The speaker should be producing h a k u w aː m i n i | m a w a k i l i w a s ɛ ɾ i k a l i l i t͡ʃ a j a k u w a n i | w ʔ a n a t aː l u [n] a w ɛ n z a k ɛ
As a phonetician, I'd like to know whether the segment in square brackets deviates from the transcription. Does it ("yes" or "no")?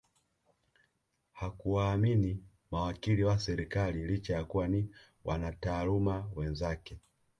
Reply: yes